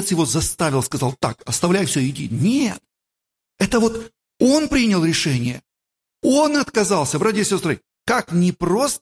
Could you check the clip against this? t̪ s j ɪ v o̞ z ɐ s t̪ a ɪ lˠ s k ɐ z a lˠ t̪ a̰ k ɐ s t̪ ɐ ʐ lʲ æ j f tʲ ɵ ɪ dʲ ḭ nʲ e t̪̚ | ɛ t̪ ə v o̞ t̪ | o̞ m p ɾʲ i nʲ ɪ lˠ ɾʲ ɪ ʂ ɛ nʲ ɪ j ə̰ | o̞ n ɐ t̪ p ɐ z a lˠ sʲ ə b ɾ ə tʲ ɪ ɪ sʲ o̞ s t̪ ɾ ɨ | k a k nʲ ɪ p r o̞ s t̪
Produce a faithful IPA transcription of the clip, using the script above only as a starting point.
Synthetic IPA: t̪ s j ɪ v o̞ z ɐ s t̪ a ɪ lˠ s k ɐ z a lˠ t̪ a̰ k ɐ s t̪ ɐ v lʲ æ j f sʲ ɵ ɪ dʲ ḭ nʲ e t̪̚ | ɛ t̪ ə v o̞ t̪ | o̞ n p ɾʲ i nʲ ɪ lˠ ɾʲ ɪ ʂ ɛ nʲ ɪ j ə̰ | o̞ n ɐ t̪ k ɐ z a lˠ sʲ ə b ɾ a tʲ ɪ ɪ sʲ o̞ s t̪ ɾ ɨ | k a k nʲ ɪ p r o̞ s t̪